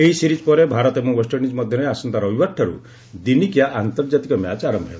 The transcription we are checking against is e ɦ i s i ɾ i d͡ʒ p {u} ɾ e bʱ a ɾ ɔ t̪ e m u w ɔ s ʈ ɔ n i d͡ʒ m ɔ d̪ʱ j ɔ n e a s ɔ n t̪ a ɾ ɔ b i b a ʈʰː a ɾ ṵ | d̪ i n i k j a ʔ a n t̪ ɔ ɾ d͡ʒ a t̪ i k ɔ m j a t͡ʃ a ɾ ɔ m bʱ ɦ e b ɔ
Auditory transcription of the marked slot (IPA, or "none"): ɔ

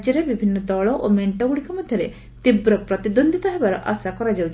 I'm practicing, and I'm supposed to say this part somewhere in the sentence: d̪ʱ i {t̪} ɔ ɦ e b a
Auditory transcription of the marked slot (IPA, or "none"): t̪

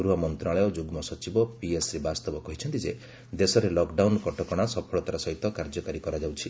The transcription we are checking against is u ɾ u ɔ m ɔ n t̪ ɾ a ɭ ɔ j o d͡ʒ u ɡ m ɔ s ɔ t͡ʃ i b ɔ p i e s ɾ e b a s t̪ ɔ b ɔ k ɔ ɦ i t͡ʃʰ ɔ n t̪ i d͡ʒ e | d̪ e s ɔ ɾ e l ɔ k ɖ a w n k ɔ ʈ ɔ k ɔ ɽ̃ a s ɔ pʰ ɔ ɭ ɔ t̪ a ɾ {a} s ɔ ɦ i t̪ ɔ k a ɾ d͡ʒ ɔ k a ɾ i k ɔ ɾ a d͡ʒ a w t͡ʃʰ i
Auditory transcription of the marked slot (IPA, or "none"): a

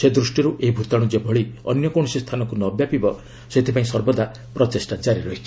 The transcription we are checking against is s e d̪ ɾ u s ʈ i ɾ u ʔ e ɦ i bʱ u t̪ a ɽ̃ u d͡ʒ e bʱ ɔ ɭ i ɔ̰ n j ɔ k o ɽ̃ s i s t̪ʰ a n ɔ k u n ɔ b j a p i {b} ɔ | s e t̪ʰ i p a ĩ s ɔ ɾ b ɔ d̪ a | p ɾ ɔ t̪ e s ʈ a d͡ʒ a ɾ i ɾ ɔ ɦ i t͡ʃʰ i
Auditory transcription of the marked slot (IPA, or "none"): b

